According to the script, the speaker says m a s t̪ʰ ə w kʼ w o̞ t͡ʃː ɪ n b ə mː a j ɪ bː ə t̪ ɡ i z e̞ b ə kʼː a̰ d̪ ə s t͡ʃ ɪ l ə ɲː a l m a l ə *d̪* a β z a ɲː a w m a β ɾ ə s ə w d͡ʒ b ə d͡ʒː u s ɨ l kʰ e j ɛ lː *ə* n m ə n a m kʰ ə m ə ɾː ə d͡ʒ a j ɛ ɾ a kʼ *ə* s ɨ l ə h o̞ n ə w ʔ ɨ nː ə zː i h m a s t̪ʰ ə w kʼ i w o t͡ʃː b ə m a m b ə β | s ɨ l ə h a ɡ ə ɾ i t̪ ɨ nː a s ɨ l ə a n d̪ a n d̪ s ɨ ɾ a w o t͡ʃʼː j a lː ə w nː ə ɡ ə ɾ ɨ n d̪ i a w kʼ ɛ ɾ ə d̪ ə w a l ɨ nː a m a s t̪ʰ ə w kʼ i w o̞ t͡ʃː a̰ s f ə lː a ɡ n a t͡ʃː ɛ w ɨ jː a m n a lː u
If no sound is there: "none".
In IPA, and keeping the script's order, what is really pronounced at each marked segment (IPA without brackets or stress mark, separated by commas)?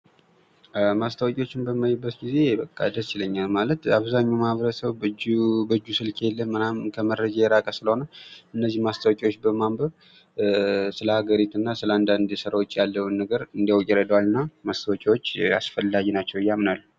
t̪, ə, ə